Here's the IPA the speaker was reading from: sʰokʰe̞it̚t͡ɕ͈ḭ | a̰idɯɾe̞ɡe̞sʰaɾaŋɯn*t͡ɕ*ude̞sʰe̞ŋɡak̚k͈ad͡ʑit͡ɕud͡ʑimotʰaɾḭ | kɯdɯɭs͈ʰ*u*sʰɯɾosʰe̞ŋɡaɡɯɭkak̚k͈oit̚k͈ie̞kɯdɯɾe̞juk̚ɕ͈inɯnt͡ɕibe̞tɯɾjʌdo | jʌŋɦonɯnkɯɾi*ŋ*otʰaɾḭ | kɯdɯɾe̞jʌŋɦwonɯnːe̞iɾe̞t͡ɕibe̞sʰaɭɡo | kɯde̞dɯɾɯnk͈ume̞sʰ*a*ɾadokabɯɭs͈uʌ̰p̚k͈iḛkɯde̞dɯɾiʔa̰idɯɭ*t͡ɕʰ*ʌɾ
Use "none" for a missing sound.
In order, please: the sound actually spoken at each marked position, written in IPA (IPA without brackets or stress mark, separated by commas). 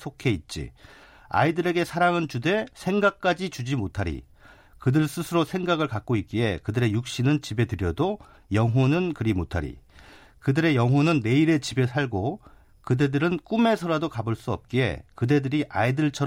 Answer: t͡ɕ, ɯ, m, ʌ, t͡ɕʰ